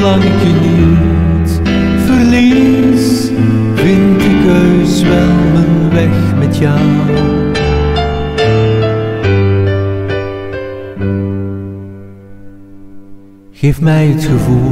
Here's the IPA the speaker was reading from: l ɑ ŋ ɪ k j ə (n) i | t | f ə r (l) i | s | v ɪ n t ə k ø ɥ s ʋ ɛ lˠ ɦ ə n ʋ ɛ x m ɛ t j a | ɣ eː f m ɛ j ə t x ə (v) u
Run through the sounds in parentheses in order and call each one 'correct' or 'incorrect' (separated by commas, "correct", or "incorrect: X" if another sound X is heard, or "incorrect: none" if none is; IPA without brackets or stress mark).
correct, correct, correct